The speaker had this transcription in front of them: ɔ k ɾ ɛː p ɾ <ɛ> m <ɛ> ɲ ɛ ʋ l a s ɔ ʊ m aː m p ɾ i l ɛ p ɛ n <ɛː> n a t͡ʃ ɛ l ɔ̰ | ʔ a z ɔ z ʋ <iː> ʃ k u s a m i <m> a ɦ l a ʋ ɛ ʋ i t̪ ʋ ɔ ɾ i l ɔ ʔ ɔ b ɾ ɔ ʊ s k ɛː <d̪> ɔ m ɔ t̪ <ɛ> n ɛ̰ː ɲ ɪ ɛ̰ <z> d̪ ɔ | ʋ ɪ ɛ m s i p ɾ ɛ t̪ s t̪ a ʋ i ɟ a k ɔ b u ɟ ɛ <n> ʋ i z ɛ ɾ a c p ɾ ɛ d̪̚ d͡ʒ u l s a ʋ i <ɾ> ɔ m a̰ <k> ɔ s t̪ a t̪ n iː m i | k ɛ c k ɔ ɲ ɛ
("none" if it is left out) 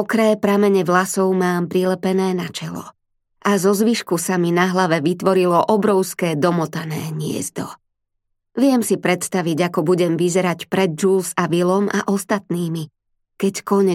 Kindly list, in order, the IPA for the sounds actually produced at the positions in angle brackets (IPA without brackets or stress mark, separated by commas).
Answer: a, ɛ, ɛː, i, n, d̪, a, z, m, l, ʔ